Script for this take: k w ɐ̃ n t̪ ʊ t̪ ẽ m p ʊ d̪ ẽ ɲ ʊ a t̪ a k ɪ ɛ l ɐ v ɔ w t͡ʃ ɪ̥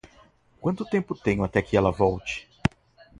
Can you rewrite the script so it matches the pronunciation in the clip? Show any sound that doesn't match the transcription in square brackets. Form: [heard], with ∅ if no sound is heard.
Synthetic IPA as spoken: k w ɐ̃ n t̪ ʊ t̪ ẽ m p ʊ [t̪] ẽ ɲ ʊ a t̪ [ɛ] k ɪ ɛ l ɐ v ɔ w t͡ʃ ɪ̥